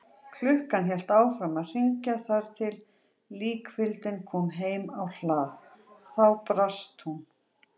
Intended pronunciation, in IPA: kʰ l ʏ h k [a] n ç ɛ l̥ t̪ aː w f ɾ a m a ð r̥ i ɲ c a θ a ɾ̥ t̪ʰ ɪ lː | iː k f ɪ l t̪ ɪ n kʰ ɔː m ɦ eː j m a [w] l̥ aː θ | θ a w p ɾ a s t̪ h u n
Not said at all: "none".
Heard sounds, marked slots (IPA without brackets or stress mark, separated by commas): a, w